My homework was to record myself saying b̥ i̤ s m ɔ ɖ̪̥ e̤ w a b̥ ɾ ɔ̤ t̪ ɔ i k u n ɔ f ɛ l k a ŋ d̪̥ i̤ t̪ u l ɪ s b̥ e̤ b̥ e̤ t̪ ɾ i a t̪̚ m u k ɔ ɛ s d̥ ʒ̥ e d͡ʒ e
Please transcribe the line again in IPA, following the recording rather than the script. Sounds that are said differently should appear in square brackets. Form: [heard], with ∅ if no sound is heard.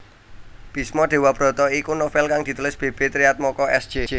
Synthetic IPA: b̥ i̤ s m ɔ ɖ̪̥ e̤ w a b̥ ɾ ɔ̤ t̪ ɔ i k u n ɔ f ɛ l k a ŋ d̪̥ i̤ t̪ u l ɪ s b̥ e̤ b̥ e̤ t̪ ɾ i a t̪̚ m [ɔ] k ɔ ɛ s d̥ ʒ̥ e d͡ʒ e